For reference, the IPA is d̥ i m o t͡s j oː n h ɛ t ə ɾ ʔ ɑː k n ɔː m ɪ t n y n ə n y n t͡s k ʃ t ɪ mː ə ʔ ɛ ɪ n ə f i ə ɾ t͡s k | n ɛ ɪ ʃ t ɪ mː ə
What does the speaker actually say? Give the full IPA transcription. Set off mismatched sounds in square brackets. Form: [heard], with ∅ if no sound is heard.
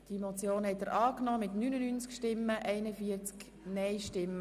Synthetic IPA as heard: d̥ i m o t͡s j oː n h ɛ t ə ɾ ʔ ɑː k n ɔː m ɪ t n y n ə n y n t͡s k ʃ t ɪ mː ə ʔ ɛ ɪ n ə f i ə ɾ t͡s k | n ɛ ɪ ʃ t ɪ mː ə